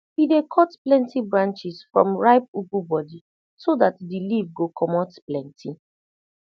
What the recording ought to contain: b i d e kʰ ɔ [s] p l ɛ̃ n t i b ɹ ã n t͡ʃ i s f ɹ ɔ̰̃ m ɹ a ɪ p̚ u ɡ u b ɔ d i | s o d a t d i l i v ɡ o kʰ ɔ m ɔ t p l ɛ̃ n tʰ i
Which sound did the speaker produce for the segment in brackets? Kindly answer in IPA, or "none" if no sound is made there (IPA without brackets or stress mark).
t